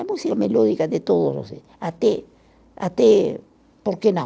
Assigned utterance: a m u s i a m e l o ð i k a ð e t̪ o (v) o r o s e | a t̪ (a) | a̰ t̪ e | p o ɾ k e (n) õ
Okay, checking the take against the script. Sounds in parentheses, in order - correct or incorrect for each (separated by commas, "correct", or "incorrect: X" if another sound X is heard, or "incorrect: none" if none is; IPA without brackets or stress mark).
incorrect: ð, incorrect: e, correct